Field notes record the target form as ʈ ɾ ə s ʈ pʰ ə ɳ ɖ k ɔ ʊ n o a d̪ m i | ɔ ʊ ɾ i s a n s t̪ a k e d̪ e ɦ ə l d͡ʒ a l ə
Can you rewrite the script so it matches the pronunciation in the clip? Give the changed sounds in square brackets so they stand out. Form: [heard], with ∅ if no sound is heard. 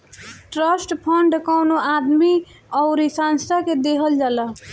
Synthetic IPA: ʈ ɾ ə s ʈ pʰ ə ɳ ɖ k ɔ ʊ n o a d̪ m i | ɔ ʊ ɾ i s a n s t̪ a k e d̪ e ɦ ə l d͡ʒ a l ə